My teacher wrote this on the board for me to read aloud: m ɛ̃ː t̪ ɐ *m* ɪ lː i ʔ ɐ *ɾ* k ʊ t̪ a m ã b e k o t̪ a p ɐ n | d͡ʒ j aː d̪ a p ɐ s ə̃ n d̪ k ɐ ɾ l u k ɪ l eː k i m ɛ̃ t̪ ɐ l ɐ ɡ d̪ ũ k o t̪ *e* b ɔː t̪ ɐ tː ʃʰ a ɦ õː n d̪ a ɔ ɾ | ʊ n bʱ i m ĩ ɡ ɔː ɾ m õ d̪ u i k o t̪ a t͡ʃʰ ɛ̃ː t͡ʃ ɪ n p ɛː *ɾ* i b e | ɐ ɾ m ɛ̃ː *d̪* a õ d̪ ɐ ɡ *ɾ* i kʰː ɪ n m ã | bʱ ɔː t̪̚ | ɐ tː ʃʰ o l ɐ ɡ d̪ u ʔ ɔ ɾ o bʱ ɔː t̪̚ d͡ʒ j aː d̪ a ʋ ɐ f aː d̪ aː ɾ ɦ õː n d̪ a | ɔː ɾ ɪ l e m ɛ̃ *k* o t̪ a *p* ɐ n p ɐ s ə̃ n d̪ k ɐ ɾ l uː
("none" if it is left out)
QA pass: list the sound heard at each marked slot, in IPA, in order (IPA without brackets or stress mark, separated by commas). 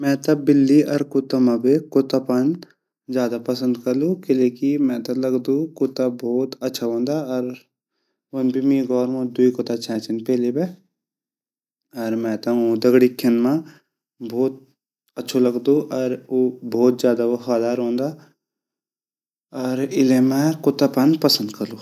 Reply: b, ɾ, a, l, t̪, ɽ, k, p